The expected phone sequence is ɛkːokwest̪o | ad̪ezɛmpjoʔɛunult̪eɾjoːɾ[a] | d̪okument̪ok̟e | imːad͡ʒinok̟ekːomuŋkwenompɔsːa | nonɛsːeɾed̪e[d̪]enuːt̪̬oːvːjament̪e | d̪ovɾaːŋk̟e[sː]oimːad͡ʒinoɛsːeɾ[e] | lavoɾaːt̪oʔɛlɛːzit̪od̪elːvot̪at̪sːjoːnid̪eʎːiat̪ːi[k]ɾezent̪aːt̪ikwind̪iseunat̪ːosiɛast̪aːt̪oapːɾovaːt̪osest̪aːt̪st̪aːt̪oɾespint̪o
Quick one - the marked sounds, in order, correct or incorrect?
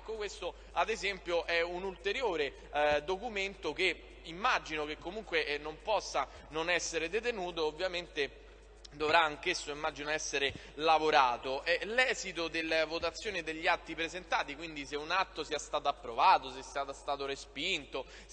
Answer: incorrect, incorrect, correct, correct, incorrect

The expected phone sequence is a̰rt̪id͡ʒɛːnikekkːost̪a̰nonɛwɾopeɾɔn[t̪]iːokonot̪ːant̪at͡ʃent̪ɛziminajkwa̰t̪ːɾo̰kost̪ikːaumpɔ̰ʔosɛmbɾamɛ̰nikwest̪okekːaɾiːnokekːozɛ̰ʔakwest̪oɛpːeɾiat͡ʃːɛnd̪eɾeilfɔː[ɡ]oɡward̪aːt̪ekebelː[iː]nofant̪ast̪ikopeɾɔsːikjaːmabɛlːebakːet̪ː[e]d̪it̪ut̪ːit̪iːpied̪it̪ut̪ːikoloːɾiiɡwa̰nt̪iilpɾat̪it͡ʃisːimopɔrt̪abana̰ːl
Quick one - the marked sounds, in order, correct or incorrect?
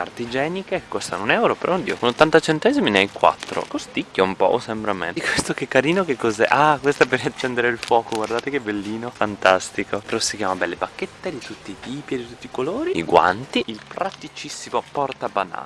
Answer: incorrect, incorrect, correct, correct

